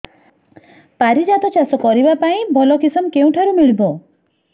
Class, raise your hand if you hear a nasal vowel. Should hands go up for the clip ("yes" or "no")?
yes